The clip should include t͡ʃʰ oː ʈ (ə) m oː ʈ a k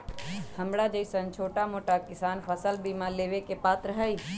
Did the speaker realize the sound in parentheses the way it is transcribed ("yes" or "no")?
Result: no